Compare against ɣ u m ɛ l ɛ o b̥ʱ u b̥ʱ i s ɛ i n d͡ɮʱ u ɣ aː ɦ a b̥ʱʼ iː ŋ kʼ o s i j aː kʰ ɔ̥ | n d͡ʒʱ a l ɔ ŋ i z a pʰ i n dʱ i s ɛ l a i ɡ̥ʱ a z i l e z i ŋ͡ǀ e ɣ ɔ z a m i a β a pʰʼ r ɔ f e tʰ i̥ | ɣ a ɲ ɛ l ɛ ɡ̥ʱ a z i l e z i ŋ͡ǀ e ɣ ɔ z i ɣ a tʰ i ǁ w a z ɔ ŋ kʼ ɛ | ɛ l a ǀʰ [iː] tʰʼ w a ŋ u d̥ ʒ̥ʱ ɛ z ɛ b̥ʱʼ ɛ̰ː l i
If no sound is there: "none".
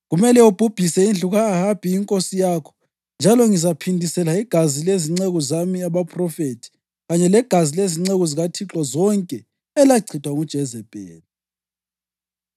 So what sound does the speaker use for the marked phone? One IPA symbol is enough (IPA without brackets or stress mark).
i